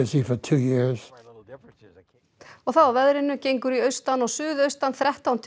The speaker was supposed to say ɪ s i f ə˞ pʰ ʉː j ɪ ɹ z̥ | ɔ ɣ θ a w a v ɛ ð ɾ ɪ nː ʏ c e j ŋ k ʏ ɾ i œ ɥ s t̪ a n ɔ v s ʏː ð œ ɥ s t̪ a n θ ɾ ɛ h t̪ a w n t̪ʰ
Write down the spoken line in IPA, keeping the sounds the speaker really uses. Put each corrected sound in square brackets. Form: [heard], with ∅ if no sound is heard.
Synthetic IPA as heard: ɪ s i f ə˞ [tʰ] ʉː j ɪ ɹ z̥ | ɔ ɣ θ a w a v ɛ ð ɾ ɪ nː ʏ c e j ŋ k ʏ ɾ i œ ɥ s t̪ a n ɔ [ɣ] s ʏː ð œ ɥ s t̪ a n θ ɾ ɛ h t̪ a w n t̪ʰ